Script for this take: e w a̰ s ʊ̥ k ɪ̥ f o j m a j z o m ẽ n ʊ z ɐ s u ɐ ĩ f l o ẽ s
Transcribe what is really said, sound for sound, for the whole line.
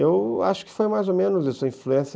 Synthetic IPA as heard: e w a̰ ʃ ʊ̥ k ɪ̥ f o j m a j z o m ẽ n ʊ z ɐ s u ɐ ĩ f l u ẽ s